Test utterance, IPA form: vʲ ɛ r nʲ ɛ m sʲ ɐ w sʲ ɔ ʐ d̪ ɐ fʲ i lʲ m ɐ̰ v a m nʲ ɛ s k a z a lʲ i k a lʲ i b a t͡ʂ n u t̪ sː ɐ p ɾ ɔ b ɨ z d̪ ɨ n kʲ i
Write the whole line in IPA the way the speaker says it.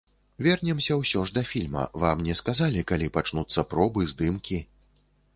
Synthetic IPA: vʲ ɛ r nʲ ɛ m sʲ ɐ w sʲ ɔ ʐ d̪ ɐ fʲ i lʲ m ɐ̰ v a m nʲ ɛ s k a z a lʲ i k a lʲ i p a t͡ʂ n u t̪ sː ɐ p ɾ ɔ b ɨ z d̪ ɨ m kʲ i